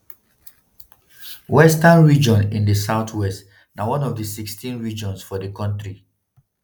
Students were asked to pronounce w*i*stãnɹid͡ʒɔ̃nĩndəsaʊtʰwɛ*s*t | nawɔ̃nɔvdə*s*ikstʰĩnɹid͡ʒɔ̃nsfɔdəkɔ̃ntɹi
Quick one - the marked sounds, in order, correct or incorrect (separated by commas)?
incorrect, correct, correct